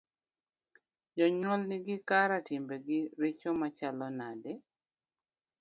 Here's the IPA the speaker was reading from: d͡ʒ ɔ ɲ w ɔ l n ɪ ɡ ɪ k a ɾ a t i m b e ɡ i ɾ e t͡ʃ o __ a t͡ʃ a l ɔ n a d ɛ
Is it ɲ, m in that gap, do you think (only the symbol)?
m